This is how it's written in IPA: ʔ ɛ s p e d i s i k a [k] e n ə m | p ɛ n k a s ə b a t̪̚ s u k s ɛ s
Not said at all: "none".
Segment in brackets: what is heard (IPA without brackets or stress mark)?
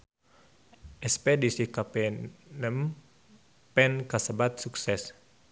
p